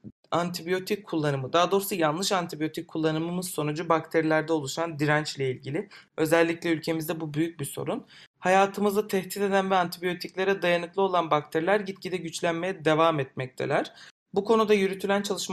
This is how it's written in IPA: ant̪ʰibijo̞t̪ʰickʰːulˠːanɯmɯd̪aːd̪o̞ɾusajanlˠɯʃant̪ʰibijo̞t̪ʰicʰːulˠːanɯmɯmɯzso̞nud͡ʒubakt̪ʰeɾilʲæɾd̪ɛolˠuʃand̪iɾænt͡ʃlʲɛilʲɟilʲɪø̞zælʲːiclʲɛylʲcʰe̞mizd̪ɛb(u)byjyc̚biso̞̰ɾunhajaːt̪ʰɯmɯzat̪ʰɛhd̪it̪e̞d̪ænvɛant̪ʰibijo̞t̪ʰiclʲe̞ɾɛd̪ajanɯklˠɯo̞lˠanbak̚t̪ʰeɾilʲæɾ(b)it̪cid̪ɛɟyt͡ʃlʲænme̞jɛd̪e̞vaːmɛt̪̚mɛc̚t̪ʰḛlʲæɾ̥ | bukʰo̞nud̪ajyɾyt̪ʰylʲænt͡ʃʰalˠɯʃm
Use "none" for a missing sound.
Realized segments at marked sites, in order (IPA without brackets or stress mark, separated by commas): u, ɟ